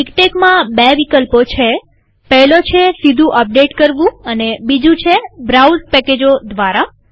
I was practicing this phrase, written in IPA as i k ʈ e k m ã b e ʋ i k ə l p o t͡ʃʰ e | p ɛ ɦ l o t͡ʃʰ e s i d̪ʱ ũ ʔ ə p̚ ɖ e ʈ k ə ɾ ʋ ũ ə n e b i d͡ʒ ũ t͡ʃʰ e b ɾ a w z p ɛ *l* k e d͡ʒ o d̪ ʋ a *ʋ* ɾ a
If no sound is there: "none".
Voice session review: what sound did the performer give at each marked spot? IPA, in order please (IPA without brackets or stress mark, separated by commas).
none, none